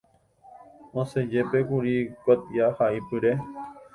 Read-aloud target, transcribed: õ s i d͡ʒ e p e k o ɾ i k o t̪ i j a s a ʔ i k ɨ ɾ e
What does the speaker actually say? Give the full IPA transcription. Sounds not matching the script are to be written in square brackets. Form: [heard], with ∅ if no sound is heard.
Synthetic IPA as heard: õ s [e] d͡ʒ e p e k [u] ɾ i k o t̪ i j a [h] a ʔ i [p] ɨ ɾ e